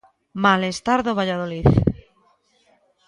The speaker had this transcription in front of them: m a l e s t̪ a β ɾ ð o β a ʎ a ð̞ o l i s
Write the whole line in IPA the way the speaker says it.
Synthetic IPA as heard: m a l e s t̪ a ɾ ð o β a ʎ a ð̞ o l i θ

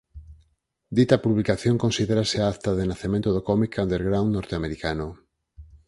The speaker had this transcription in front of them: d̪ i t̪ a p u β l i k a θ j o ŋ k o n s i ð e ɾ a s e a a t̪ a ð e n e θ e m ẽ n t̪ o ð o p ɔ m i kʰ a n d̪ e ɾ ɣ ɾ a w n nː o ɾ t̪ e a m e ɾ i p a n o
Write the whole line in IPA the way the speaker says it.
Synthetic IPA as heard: d̪ i t̪ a p u β l i k a θ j o ŋ k o n s i ð e ɾ a s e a a t̪ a ð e n a θ e m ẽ n t̪ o ð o k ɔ m i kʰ a n d̪ e ɾ ɣ ɾ a w n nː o ɾ t̪ e a m e ɾ i k a n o

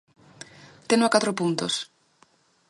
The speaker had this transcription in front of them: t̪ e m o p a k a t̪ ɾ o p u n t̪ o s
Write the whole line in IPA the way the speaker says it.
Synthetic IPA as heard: t̪ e n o a k a t̪ ɾ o p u n t̪ o s

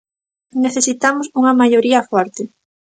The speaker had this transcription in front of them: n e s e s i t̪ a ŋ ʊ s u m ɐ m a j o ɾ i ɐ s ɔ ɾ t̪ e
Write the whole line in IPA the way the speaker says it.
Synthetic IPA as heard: n e θ e s i t̪ a m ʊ s u ŋ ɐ m a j o ɾ i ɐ f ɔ ɾ t̪ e

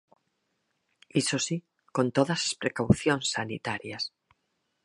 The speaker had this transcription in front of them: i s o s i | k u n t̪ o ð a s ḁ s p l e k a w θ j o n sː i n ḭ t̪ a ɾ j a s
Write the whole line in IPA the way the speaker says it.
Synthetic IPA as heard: i s o s i | k o n t̪ o ð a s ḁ s p ɾ e k a w θ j o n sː a n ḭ t̪ a ɾ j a s

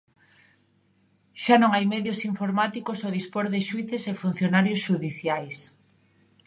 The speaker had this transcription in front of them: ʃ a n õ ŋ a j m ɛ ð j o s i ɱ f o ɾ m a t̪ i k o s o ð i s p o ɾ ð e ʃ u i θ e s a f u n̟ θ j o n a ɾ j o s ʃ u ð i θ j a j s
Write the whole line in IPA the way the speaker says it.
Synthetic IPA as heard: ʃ a n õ ŋ a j m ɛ ð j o s i ɱ f o ɾ m a t̪ i k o s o ð i s p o ɾ ð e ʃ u i θ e s e f u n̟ θ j o n a ɾ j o s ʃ u ð i θ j a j s

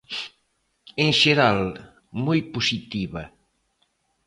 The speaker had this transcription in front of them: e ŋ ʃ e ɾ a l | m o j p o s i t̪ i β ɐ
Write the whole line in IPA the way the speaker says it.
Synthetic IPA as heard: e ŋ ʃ e ɾ a l | m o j p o s i t̪ i β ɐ

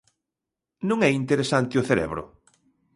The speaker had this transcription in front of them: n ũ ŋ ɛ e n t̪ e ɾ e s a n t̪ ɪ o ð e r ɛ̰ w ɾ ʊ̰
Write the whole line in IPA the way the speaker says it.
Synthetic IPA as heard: n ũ ŋ ɛ i n t̪ e ɾ e s a n t̪ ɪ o θ e ɾ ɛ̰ β ɾ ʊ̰

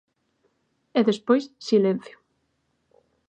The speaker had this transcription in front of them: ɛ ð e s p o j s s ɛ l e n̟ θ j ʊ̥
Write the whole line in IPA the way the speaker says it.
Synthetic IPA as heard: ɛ ð e s p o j s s i l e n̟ θ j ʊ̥

